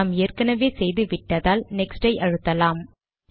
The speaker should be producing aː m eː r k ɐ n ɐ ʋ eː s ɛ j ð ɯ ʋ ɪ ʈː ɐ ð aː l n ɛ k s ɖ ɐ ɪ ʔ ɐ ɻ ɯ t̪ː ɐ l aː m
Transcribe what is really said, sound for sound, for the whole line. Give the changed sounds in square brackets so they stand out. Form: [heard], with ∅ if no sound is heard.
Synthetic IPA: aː m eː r k ɐ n ɐ ʋ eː s ɛ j ð ɯ ʋ ɪ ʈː ɐ ð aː l n ɛ k s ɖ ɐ ɪ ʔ ɐ ɻ ɯ t̪ː ɐ l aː m